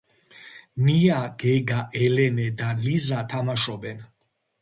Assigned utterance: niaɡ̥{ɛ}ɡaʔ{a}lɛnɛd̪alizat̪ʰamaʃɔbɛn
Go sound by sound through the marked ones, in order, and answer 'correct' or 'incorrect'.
correct, incorrect: ɛ

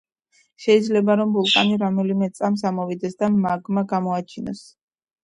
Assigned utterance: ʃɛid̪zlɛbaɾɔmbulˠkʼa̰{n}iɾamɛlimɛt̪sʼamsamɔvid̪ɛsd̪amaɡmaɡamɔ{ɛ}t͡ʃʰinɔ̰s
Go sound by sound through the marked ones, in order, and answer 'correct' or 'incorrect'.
correct, incorrect: a

